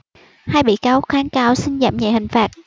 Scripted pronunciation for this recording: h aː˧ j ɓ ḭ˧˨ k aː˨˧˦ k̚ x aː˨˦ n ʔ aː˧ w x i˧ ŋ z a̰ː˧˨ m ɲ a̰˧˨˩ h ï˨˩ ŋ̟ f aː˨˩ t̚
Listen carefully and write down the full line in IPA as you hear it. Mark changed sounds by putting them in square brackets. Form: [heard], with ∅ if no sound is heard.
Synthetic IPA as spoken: h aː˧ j ɓ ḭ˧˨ k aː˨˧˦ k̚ x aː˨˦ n [k] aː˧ w [s] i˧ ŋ z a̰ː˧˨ m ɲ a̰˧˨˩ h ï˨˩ ŋ̟ f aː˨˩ t̚

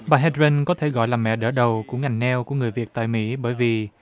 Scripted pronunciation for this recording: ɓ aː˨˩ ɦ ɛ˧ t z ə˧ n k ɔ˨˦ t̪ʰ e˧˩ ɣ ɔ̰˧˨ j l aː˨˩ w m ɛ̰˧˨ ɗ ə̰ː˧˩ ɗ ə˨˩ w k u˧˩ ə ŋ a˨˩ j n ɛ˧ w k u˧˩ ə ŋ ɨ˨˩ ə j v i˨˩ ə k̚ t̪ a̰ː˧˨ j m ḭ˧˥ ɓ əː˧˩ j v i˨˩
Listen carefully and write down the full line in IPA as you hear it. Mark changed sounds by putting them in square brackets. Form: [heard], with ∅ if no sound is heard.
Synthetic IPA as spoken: ɓ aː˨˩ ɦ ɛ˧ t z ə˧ n k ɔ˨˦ t̪ʰ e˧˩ ɣ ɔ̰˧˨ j l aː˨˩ [∅] m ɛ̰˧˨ ɗ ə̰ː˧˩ ɗ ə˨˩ w k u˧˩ ə ŋ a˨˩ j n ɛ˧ w k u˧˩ ə ŋ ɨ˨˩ ə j v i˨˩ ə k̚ t̪ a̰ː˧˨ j m ḭ˧˥ ɓ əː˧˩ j v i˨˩

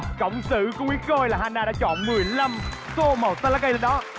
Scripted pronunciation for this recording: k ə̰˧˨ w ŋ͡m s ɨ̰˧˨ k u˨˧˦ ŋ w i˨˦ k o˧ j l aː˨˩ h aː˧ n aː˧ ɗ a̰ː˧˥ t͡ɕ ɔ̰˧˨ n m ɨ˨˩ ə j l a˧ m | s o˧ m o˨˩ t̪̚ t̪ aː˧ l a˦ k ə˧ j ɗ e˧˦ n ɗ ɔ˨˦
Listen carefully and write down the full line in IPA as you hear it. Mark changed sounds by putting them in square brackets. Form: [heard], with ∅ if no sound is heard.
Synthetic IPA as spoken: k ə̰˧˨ w ŋ͡m s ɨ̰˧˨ k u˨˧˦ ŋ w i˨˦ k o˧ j l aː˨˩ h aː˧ n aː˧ ɗ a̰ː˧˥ t͡ɕ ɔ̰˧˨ n m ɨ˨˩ ə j l a˧ m | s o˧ m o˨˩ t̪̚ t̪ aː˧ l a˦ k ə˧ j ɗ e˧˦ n ɗ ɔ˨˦

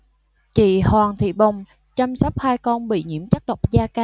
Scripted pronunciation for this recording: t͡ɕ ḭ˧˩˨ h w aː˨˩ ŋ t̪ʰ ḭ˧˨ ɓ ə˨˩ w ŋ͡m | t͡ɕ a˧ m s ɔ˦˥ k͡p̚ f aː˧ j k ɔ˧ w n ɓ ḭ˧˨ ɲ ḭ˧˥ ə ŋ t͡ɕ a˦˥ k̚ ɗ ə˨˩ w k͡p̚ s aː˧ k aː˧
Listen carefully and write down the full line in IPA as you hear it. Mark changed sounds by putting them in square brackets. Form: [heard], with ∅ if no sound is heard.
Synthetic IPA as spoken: t͡ɕ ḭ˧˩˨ h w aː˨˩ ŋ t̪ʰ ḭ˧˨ ɓ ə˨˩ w ŋ͡m | t͡ɕ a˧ m s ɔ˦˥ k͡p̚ [h] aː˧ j k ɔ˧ [∅] n ɓ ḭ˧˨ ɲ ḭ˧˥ ə [m] t͡ɕ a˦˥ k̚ ɗ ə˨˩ w k͡p̚ [z] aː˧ k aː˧

